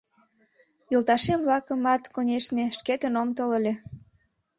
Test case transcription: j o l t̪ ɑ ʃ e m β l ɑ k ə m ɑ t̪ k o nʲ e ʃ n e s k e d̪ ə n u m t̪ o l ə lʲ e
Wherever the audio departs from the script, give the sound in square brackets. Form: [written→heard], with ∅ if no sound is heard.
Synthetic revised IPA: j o l t̪ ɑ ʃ e m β l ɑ k ə m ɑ t̪ k o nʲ e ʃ n e [s→ʃ] k e [d̪→t̪] ə n [u→o] m t̪ o l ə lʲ e